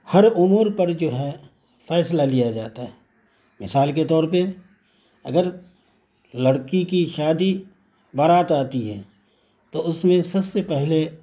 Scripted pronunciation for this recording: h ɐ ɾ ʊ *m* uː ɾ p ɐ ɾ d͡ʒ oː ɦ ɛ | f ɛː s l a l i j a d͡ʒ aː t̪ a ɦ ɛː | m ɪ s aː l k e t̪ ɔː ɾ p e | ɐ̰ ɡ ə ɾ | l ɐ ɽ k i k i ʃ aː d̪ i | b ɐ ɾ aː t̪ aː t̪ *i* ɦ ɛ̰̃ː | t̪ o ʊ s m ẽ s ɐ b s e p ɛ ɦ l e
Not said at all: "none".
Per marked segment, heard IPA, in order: m, i

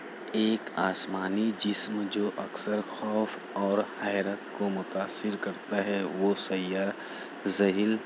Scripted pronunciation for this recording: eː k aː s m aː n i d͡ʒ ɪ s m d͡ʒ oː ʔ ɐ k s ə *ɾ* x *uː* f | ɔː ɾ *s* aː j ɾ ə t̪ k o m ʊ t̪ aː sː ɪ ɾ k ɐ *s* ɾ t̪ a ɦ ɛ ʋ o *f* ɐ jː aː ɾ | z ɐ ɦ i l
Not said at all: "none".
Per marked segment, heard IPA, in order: ɾ, ɔː, h, none, s

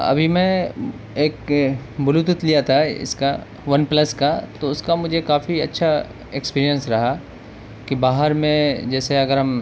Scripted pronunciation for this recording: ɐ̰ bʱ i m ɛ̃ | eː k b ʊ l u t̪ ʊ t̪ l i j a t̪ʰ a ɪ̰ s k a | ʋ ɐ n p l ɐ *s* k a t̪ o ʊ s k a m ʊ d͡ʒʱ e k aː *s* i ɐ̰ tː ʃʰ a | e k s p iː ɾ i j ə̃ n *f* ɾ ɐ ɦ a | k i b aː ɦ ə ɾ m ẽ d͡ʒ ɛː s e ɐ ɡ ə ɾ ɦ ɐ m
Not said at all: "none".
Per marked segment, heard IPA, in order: s, f, s

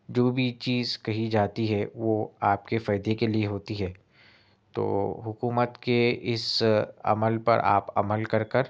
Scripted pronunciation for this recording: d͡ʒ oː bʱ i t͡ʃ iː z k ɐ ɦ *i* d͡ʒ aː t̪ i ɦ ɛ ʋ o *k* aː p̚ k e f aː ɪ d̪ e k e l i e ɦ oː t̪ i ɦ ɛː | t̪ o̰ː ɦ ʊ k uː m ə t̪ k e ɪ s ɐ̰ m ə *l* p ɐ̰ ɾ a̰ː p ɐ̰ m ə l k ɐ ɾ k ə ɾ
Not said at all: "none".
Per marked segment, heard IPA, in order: i, none, l

